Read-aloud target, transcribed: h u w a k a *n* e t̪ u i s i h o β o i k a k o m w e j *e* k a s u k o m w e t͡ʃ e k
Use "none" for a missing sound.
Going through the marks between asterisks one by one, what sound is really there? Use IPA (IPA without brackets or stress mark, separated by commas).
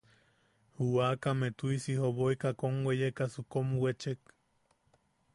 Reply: m, e